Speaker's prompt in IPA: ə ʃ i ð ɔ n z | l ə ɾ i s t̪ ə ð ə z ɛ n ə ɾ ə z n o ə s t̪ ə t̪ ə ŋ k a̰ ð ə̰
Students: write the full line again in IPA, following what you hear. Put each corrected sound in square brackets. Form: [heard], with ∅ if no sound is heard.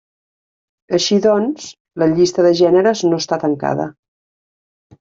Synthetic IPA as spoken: ə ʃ i ð ɔ n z | l ə [ʎ] i s t̪ ə ð ə [ʒ] ɛ n ə ɾ ə z n o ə s t̪ [a] t̪ ə ŋ k a̰ ð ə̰